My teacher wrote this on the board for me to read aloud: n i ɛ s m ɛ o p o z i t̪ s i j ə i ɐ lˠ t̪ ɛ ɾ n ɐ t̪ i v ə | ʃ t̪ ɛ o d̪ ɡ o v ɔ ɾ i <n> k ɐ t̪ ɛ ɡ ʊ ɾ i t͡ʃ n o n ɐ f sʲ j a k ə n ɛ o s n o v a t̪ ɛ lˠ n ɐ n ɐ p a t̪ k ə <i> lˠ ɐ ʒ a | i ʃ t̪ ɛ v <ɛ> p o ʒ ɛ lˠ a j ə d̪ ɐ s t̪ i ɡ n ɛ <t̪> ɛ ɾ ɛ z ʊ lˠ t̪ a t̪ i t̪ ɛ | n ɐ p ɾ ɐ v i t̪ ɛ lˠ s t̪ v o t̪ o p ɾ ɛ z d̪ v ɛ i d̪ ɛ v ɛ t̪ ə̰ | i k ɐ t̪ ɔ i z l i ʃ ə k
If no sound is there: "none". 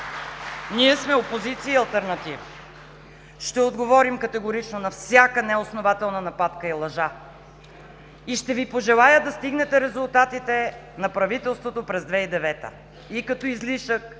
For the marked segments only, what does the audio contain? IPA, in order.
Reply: m, i, i, t̪

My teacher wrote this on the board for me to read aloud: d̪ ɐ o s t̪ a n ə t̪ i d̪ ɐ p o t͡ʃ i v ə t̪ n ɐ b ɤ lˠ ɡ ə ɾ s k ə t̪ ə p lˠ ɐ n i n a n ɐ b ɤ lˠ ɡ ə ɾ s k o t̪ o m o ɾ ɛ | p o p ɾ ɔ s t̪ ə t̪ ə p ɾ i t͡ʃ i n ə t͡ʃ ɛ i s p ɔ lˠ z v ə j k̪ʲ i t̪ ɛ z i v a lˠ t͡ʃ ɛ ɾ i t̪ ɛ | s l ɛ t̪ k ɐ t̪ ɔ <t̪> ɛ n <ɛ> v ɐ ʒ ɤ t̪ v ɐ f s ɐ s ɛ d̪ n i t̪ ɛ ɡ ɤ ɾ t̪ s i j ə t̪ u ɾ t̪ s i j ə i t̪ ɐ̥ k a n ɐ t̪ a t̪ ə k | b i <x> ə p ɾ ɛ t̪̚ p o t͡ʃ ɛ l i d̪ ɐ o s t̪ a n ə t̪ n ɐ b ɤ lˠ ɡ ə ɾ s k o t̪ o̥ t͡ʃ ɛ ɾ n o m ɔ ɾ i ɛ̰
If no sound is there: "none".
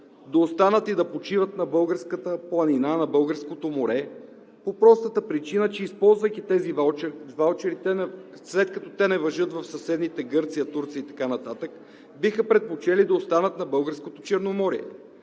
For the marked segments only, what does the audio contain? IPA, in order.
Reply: t̪, ɛ, x

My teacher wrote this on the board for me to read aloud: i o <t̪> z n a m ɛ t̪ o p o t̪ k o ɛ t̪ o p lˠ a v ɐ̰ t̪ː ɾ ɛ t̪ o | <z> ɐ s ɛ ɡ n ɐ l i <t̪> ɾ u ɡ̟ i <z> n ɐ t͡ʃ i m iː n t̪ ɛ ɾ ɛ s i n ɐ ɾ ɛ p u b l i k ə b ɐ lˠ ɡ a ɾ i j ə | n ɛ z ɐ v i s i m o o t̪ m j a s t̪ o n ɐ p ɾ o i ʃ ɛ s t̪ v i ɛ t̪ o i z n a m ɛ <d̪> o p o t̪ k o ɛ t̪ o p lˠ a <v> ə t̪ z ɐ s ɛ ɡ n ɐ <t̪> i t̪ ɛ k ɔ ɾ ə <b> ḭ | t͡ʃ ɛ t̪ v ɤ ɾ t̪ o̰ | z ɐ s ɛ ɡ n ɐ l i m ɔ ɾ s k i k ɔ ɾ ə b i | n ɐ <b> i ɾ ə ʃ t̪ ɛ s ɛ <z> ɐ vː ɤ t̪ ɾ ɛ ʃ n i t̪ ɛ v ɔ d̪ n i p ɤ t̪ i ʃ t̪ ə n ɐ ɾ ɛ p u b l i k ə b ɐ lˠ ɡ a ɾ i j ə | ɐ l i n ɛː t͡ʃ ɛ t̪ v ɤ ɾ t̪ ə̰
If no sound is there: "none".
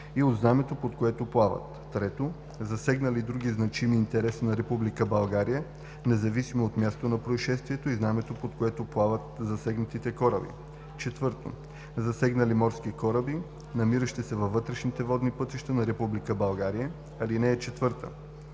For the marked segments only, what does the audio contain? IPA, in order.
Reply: d̪, z, d̪, z, t̪, v, t̪, b, m, v

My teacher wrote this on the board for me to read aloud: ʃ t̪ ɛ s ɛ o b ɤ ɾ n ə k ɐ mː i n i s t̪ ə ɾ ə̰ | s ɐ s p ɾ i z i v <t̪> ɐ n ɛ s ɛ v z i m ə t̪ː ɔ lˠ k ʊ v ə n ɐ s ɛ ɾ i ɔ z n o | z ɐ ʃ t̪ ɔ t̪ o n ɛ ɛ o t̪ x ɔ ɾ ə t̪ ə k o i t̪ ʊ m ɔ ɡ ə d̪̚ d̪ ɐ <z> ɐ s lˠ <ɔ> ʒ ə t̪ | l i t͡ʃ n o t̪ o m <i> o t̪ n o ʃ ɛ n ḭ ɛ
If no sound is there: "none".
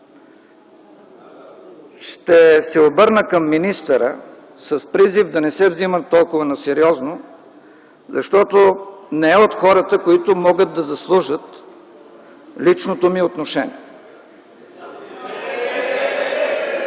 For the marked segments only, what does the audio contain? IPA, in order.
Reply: d̪, z, u, i

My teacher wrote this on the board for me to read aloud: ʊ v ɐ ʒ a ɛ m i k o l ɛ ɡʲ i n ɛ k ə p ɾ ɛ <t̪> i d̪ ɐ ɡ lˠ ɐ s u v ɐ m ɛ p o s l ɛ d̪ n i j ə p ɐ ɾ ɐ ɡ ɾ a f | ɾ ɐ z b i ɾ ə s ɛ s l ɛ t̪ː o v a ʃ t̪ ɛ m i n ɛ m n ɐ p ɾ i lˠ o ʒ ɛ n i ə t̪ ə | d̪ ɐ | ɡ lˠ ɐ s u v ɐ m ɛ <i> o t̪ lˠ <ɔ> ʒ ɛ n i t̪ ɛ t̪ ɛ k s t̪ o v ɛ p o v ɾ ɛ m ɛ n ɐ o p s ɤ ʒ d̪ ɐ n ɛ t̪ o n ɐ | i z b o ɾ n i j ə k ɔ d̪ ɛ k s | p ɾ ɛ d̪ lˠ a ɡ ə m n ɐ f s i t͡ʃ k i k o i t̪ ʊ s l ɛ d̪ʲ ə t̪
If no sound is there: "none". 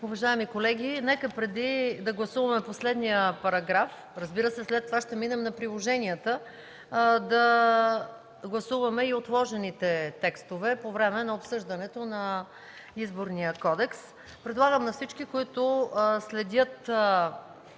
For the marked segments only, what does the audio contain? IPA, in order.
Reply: d̪, i, ɔ

